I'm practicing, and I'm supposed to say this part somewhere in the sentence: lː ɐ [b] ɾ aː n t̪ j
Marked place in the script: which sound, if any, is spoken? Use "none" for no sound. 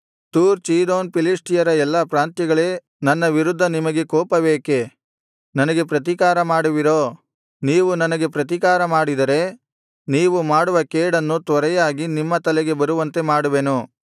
p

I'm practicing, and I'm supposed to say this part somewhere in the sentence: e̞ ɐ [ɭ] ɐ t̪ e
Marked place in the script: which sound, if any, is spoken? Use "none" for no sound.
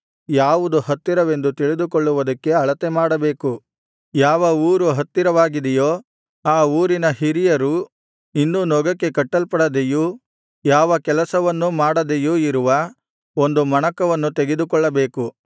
ɭ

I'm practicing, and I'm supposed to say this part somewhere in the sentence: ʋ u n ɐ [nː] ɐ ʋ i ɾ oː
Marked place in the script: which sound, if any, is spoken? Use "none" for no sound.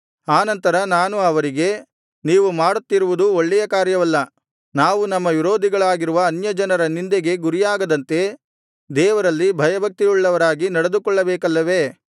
mː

